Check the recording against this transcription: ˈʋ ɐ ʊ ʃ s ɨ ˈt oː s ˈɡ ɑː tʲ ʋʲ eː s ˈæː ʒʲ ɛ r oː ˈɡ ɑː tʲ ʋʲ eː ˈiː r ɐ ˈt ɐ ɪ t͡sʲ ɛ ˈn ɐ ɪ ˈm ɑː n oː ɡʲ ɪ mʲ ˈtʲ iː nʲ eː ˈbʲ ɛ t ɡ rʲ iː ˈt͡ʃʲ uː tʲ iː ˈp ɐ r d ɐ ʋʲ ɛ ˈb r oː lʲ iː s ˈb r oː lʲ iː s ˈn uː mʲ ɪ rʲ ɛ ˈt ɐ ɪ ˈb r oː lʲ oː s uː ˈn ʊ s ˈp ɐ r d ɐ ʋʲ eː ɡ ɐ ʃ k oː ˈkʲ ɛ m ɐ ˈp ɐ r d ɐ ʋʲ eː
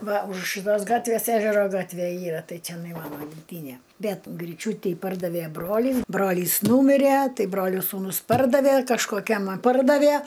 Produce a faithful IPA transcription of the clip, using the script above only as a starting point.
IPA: ˈʋ ɐ ʊ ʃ ʃ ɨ ˈt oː s ˈɡ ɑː tʲ ʋʲ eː s ˈæː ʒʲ ɛ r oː ˈɡ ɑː tʲ ʋʲ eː ˈiː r ɐ ˈt ɐ ɪ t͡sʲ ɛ ˈn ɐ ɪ ˈm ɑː n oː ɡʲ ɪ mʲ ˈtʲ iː nʲ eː ˈbʲ ɛ t ɡ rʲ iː ˈt͡ʃʲ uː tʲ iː ˈp ɐ r d ɐ ʋʲ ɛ ˈb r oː lʲ iː s ˈb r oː lʲ iː s ˈn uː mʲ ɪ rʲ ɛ ˈt ɐ ɪ ˈb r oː lʲ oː s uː ˈn ʊ s ˈp ɐ r d ɐ ʋʲ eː k ɐ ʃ k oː ˈkʲ ɛ m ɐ ˈp ɐ r d ɐ ʋʲ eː